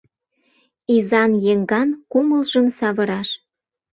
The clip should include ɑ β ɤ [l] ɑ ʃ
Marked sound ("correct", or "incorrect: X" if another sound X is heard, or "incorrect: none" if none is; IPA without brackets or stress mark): incorrect: ɾ